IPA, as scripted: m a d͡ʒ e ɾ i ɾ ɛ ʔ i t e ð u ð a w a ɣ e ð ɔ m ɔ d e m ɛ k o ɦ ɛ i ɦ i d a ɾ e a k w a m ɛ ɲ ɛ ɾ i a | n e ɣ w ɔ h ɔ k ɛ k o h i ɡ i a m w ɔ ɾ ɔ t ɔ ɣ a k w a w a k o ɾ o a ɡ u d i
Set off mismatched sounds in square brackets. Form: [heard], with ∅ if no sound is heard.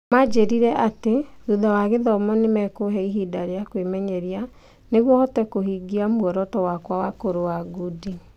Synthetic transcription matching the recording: m a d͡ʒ e ɾ i ɾ ɛ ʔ [a] t e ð u ð a w a ɣ e ð ɔ m ɔ [n] e m ɛ k o ɦ ɛ i ɦ i d a ɾ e a k w [e] m ɛ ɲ ɛ ɾ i a | n e ɣ w ɔ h ɔ [t] ɛ k o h i ɡ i a m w ɔ ɾ ɔ t ɔ [w] a k w a w a k o ɾ o a ɡ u d i